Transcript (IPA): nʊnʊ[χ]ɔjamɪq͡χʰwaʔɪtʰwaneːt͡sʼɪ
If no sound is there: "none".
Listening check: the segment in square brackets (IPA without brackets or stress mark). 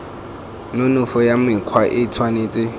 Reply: f